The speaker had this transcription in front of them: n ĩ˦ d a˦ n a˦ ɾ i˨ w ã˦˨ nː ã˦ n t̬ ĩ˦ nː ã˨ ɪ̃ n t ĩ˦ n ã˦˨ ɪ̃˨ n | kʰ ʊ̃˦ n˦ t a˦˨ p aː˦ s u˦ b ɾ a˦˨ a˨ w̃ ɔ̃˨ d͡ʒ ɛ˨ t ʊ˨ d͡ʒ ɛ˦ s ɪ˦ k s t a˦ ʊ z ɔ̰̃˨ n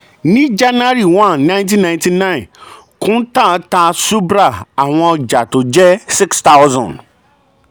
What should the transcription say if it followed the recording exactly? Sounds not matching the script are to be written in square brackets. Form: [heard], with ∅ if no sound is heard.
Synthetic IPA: n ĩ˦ [d͡ʒ] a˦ n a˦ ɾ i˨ w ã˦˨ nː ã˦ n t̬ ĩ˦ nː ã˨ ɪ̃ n t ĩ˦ n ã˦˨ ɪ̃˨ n | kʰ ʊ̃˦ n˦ t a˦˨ [t] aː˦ s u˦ b ɾ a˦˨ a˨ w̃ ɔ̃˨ d͡ʒ [a˨] t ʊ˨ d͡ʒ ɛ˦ s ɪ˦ k s t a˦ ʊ z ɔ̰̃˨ n

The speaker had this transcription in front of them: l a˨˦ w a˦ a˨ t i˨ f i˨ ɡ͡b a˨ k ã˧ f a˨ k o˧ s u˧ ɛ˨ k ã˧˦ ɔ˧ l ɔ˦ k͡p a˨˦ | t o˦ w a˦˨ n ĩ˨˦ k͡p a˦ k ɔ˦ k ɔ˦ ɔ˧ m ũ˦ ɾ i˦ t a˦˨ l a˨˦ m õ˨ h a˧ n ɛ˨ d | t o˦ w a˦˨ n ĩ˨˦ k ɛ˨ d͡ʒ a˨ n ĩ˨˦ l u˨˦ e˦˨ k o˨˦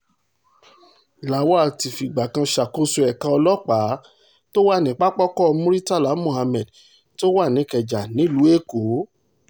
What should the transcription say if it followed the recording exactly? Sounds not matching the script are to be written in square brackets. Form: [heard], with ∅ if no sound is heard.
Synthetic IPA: l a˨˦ w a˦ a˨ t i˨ f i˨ ɡ͡b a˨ k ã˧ [ʃ] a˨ k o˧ s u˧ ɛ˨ k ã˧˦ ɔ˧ l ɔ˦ k͡p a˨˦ | t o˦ w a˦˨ n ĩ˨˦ k͡p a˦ [k͡p] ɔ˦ k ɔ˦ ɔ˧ m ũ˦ ɾ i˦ t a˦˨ l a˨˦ m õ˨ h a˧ [m] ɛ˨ d | t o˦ w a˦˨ n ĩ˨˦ k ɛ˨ d͡ʒ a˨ n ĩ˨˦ l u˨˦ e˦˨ k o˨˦

